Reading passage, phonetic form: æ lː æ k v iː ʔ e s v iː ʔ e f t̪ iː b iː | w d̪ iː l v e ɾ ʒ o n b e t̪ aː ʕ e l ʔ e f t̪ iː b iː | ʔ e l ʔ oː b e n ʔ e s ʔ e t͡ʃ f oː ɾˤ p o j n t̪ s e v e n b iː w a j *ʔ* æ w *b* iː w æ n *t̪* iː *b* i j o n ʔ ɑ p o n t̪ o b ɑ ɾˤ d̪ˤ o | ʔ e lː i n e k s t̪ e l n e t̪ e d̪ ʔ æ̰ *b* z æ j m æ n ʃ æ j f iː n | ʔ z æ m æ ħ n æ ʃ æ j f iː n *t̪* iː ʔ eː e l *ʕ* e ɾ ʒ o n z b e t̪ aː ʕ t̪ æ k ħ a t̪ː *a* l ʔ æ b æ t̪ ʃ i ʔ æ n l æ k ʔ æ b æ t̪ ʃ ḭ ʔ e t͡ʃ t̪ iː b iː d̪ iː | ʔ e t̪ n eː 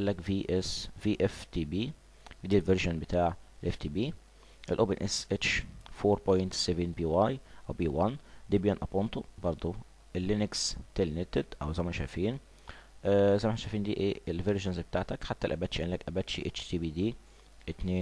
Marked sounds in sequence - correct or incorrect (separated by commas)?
correct, correct, incorrect, correct, incorrect, incorrect, incorrect, incorrect